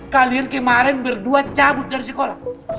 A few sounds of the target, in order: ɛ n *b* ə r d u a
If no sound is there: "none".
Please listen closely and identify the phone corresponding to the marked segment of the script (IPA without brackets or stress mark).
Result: b